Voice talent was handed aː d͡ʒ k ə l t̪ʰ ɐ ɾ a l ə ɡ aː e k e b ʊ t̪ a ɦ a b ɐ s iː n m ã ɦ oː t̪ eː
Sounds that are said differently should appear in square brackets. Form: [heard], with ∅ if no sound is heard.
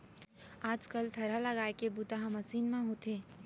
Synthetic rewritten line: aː d͡ʒ k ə l t̪ʰ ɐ ɾ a l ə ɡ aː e k e b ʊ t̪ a ɦ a [m] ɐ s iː n m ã ɦ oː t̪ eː